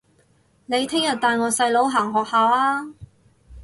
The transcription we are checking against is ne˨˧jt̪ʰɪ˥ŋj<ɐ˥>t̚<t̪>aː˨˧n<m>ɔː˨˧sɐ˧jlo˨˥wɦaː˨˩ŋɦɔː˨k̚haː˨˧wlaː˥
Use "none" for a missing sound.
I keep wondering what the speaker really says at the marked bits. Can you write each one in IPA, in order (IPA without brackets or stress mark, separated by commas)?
ɐ˨, t̪, ŋ